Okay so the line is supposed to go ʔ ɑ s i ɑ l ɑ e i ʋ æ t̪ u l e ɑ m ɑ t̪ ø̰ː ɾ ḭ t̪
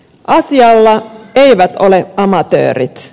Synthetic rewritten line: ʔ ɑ s i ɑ lː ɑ e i ʋ æ t̪ o l e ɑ m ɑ t̪ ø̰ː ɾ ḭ t̪